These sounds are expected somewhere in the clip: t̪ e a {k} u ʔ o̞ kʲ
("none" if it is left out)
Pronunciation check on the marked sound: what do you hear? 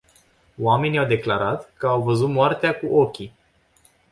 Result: k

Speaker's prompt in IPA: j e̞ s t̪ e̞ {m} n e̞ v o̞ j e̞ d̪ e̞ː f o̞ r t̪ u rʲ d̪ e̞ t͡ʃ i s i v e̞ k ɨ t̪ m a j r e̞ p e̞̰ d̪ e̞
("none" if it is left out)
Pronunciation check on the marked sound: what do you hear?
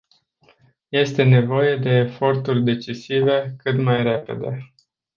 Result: none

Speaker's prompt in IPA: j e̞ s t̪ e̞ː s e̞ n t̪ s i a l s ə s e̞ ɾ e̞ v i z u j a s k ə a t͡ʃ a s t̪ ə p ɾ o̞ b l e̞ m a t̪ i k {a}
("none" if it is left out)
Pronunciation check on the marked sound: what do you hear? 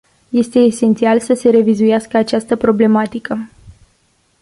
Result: ə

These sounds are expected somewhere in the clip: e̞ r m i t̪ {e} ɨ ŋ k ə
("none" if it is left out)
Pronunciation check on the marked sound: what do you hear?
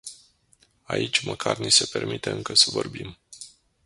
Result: e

